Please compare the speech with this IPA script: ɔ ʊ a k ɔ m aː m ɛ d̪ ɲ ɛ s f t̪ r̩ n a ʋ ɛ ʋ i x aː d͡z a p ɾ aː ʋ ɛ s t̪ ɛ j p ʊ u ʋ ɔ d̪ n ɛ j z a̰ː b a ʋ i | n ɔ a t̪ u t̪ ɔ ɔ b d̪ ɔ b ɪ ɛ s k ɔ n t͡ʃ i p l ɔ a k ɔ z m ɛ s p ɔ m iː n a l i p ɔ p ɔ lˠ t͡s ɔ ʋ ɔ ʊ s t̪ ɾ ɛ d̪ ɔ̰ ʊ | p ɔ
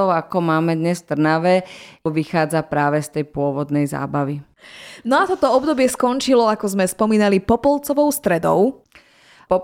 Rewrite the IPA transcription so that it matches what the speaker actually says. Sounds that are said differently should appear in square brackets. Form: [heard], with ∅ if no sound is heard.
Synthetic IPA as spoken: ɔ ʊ a k ɔ m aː m ɛ d̪ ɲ ɛ s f t̪ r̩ n a ʋ ɛ ʋ i x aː d͡z a p ɾ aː ʋ ɛ s t̪ ɛ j p ʊ [ɔ] ʋ ɔ d̪ n ɛ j z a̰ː b a ʋ i | n ɔ a t̪ [ɔ] t̪ ɔ ɔ b d̪ ɔ b ɪ ɛ s k ɔ n t͡ʃ i [∅] l ɔ a k ɔ z m ɛ s p ɔ m iː n a l i p ɔ p ɔ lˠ t͡s ɔ ʋ ɔ ʊ s t̪ ɾ ɛ d̪ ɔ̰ ʊ | p ɔ